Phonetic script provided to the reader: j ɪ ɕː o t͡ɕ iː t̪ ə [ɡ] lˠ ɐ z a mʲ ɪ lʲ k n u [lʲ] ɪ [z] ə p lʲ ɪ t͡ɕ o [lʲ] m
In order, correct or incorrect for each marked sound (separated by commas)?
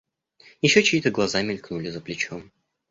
correct, correct, correct, incorrect